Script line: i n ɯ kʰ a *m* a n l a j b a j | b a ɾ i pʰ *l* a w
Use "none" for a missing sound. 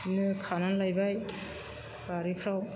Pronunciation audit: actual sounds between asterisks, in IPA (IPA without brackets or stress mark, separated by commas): n, ɾ